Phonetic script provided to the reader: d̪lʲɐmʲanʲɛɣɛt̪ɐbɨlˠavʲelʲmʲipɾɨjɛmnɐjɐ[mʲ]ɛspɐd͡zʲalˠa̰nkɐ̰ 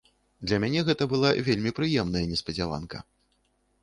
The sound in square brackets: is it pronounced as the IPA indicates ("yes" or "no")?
no